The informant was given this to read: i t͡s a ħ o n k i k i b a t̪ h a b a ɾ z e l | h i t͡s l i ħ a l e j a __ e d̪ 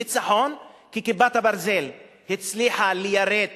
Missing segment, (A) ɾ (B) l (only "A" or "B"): A